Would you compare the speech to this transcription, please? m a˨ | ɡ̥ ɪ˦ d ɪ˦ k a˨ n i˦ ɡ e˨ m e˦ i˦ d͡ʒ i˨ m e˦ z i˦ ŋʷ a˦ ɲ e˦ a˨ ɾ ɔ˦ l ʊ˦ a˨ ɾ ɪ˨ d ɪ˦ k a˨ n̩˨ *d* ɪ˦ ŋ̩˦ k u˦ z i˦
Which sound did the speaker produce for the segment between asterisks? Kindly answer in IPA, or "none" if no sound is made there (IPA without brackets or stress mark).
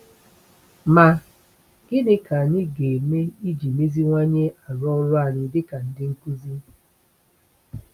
d